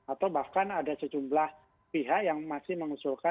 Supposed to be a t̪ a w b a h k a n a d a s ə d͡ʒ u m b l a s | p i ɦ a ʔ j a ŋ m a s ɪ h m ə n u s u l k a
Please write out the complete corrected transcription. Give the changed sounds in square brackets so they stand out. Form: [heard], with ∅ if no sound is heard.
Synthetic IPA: a t̪ a w b a h k a n a d a s ə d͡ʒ u m b l a [h] | p i ɦ a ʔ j a ŋ m a s ɪ h m ə [ŋ] u s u l k a